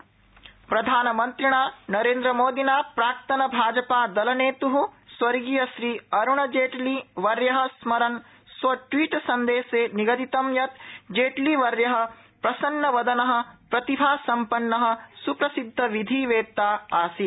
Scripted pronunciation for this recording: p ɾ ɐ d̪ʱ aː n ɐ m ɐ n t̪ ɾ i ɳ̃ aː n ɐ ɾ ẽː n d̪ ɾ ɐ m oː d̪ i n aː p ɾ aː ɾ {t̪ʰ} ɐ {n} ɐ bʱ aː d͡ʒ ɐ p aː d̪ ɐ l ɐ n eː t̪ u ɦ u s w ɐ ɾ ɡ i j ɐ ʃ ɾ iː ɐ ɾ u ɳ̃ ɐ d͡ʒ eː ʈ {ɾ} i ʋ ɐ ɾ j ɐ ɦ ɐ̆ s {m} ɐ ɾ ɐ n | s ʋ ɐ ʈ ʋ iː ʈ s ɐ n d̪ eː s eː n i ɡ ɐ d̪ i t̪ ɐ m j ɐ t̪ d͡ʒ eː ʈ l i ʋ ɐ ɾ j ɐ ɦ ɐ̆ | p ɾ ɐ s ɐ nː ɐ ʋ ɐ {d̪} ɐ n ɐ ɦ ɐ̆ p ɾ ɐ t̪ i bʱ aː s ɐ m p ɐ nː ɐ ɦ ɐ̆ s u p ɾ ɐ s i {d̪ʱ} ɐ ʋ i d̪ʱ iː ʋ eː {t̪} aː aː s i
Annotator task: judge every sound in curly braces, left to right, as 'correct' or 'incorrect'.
incorrect: t̪, correct, incorrect: l, correct, correct, incorrect: d̪ʱː, correct

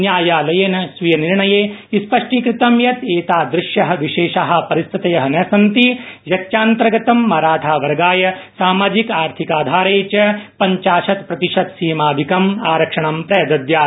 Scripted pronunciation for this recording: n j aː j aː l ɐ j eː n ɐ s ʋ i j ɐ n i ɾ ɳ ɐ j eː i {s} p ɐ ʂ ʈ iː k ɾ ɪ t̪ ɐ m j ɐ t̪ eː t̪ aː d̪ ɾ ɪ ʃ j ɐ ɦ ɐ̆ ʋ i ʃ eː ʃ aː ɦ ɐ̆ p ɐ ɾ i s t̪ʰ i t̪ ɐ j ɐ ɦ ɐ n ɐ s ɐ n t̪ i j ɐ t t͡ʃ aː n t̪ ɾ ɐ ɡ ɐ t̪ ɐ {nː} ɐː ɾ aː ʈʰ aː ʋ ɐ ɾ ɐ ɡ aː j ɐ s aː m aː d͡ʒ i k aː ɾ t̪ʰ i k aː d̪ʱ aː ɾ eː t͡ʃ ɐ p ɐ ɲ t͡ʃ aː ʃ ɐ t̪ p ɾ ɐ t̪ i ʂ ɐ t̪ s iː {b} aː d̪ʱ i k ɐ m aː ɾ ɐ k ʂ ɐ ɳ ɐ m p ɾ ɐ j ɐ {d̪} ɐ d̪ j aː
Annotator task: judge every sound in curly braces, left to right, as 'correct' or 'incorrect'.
correct, incorrect: mː, incorrect: m, correct

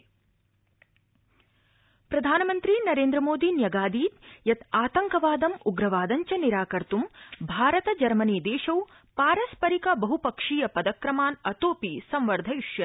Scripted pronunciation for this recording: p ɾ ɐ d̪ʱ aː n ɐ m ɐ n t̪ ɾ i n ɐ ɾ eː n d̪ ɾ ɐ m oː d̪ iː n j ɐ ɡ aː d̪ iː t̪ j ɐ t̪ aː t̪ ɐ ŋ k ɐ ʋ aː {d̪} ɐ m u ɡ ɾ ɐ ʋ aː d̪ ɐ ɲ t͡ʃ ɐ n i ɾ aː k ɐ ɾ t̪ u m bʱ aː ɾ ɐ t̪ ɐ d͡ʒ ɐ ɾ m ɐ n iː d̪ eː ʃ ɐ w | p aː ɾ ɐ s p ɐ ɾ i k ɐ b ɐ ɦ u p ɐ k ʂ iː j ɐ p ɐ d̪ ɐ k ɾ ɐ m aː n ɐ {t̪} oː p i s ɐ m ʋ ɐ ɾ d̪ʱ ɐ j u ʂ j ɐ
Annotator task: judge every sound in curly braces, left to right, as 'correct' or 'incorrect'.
correct, correct

